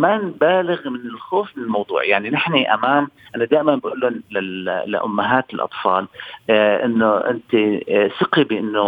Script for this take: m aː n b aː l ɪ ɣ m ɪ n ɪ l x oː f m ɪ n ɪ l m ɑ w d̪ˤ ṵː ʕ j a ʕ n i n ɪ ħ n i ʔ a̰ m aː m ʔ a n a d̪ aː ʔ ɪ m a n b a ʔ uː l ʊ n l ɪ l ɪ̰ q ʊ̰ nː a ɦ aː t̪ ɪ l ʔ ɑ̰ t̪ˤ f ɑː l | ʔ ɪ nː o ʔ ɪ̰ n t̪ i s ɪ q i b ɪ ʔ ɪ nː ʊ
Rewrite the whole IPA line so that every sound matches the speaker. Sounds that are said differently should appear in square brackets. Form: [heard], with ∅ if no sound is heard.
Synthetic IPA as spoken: m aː n b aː l ɪ ɣ m ɪ n ɪ l x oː f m ɪ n ɪ l m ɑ w d̪ˤ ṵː ʕ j a ʕ n i n ɪ ħ n i ʔ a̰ m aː m ʔ a n a d̪ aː ʔ ɪ m a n b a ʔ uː l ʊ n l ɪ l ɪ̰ [ʔ] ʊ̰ [mː] a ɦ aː t̪ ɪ l ʔ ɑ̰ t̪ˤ f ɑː l | ʔ ɪ nː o ʔ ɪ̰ n t̪ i s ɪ q i b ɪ ʔ ɪ nː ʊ